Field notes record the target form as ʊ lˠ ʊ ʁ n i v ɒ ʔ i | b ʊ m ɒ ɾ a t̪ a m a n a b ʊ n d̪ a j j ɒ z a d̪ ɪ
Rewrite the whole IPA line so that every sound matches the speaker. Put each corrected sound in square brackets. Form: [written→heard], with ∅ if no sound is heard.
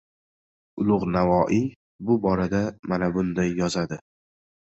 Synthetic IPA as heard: ʊ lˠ ʊ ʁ n [i→a] v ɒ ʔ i | b ʊ [m→b] ɒ ɾ a [t̪→d̪] a m a n a b ʊ n d̪ a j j ɒ z a d̪ ɪ